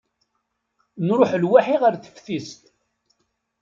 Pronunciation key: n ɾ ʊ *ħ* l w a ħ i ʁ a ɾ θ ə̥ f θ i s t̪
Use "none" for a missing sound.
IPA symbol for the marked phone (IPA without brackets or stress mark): ħ